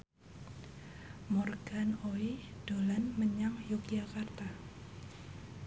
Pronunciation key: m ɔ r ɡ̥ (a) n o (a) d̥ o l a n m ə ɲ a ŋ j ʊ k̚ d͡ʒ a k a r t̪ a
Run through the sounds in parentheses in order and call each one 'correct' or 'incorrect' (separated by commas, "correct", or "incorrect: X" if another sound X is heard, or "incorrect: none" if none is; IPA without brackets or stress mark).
correct, incorrect: i